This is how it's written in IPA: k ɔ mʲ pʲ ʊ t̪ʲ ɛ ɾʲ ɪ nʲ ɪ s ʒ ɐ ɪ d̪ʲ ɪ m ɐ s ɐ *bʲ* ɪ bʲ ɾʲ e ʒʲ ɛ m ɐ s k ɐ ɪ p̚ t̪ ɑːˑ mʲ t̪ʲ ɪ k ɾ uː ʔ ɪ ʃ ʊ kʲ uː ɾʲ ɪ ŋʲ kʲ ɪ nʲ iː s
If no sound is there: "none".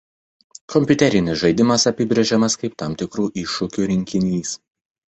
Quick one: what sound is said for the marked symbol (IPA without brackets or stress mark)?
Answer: pʲ